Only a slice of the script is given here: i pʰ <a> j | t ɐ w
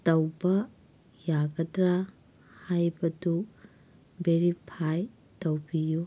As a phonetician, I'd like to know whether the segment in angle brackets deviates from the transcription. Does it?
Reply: no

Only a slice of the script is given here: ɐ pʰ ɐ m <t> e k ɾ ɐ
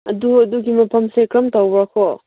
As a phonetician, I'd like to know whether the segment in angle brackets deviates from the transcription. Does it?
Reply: yes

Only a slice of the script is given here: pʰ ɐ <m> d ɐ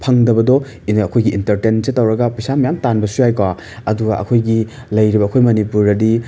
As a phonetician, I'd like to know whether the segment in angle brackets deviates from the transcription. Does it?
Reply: yes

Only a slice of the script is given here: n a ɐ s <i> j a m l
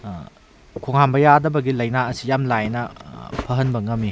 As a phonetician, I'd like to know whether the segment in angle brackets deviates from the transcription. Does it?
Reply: no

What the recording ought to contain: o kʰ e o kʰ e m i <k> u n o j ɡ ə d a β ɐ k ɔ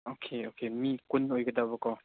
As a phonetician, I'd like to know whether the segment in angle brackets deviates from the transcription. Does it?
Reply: no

